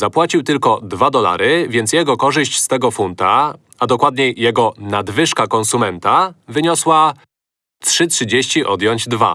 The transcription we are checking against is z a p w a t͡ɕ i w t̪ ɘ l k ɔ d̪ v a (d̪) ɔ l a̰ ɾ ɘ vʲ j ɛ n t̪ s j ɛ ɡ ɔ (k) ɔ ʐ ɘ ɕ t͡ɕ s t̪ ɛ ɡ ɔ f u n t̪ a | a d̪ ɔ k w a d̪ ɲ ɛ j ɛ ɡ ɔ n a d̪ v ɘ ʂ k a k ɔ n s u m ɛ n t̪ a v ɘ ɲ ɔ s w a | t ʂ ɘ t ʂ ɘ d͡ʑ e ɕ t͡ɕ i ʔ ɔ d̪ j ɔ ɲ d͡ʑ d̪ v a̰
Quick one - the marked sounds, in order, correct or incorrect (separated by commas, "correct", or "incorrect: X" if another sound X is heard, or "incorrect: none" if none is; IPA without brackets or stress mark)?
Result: correct, correct